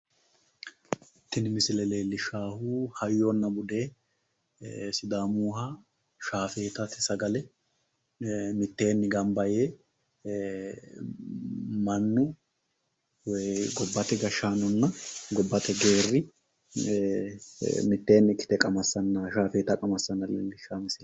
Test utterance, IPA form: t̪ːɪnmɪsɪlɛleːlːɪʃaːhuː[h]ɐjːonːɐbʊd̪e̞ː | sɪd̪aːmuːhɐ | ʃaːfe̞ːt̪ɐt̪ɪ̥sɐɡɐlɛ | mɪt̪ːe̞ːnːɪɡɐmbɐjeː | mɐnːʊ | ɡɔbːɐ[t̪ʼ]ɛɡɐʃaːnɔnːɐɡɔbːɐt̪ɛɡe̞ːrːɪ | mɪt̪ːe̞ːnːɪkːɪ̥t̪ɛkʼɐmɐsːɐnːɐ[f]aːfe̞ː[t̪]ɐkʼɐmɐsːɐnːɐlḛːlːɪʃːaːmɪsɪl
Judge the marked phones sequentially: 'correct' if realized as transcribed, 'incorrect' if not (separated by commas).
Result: correct, incorrect, incorrect, correct